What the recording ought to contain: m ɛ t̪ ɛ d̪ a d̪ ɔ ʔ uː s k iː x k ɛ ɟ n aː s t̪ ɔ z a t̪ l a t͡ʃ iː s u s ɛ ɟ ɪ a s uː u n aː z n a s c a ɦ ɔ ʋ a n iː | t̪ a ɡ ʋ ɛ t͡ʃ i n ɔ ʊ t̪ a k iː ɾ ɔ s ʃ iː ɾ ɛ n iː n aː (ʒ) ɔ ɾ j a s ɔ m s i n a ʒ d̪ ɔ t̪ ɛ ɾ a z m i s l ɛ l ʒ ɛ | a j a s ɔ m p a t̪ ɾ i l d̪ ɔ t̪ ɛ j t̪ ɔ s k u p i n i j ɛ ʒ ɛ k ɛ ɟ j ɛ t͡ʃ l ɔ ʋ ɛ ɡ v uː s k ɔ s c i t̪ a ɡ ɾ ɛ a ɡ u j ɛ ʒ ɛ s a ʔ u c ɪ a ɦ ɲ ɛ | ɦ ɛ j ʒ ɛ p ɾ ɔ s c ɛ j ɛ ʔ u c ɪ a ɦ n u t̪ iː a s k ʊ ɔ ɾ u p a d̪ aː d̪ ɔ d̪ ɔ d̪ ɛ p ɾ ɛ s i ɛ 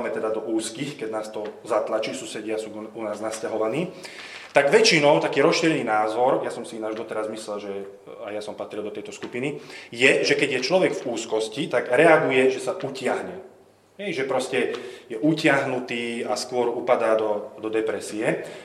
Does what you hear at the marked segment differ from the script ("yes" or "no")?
yes